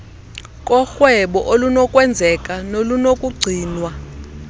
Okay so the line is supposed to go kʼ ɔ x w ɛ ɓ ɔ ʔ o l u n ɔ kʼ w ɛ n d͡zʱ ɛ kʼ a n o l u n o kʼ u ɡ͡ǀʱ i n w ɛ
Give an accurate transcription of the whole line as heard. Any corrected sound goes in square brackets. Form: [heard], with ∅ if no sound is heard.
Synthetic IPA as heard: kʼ ɔ x w ɛ ɓ ɔ ʔ o l u n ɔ kʼ w ɛ n d͡zʱ ɛ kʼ a n o l u n o kʼ u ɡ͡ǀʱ [iː] n w [a]